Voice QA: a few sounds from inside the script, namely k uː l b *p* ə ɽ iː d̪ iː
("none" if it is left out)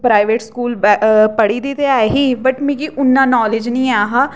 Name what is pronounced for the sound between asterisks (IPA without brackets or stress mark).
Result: p